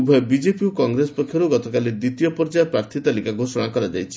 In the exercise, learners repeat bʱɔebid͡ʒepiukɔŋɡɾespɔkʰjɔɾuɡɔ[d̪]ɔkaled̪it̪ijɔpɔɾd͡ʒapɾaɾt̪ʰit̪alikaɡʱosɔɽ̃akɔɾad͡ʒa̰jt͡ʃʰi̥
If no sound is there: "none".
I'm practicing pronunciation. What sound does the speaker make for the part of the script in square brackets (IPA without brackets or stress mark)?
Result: t̪